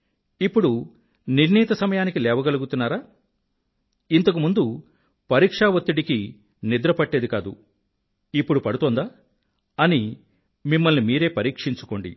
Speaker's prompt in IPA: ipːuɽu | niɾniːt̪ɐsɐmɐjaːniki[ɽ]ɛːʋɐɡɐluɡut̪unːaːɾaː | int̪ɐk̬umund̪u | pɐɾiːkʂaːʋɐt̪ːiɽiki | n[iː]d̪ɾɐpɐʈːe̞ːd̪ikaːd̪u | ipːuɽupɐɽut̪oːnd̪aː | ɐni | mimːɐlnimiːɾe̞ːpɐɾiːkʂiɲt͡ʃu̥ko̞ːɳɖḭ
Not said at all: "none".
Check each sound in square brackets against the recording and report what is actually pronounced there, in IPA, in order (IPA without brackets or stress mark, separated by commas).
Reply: l, i